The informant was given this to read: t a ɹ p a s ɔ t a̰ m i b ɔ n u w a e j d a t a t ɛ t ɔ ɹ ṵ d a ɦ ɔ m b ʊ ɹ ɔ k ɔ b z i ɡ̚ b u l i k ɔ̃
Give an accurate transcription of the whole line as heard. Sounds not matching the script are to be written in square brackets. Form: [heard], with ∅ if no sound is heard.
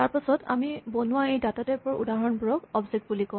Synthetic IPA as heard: t a ɹ p a s ɔ t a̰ m i b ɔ n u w a e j d a t a t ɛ [p] ɔ ɹ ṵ d a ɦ ɔ [n] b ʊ ɹ ɔ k ɔ b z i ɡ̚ b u l i k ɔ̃